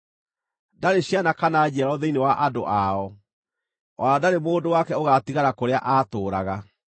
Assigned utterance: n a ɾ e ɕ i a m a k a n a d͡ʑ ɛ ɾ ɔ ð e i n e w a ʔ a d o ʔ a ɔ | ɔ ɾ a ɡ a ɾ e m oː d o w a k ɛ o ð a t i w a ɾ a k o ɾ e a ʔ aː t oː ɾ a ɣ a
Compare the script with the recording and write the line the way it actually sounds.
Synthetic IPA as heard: d a ɾ e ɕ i a n a k a n a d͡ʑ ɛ ɾ ɔ ð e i n e w a ʔ a d o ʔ a ɔ | ɔ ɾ a d a ɾ e m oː d o w a k ɛ o ɣ a t i ɣ a ɾ a k o ɾ e a ʔ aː t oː ɾ a ɣ a